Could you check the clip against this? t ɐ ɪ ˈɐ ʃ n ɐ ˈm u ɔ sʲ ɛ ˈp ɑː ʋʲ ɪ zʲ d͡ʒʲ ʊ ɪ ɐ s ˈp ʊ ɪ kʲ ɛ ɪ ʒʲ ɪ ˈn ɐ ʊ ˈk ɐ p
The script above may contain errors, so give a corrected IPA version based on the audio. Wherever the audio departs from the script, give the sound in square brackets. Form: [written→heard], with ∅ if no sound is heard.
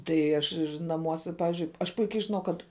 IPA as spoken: t ɐ ɪ ˈɐ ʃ n ɐ ˈm u ɔ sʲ ɛ ˈp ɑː ʋʲ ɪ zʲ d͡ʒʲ ʊ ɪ ɐ [s→ʃ] ˈp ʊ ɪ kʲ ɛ ɪ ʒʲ ɪ ˈn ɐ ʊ ˈk ɐ [p→t]